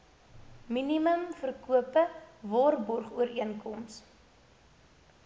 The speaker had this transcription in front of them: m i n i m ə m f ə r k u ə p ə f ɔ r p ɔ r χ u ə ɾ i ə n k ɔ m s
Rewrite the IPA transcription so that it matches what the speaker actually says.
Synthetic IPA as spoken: m i n i m ə m f ə r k u ə p ə v ɔ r b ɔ r χ u ə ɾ i ə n k ɔ m s